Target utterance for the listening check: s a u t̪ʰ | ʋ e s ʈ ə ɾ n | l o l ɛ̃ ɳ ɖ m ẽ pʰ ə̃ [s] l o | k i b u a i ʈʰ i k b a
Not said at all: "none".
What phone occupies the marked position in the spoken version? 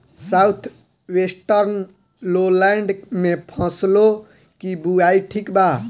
s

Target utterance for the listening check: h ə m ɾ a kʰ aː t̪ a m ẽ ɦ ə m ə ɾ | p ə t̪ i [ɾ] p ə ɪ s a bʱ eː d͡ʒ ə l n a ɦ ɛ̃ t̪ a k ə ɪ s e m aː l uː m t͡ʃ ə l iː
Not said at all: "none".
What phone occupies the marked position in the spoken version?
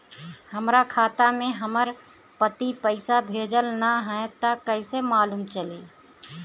none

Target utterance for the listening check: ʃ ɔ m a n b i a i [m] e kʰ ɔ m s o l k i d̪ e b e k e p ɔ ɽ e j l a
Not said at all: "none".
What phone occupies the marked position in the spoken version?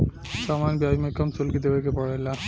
m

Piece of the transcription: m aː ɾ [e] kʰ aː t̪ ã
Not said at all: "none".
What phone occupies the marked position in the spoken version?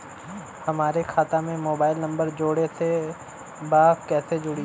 e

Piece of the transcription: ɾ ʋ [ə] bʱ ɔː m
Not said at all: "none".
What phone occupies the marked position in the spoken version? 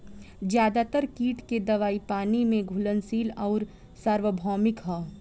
ə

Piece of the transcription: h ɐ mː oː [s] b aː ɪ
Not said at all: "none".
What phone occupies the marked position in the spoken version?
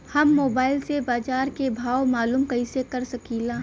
none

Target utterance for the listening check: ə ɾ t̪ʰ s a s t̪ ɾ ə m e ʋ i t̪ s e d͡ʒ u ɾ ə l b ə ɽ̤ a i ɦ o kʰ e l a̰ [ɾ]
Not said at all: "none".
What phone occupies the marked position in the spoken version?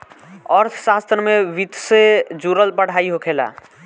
none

